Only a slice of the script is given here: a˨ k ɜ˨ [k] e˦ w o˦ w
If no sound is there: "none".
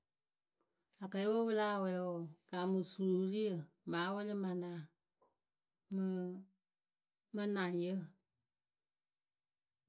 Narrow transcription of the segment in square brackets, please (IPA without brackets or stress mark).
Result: none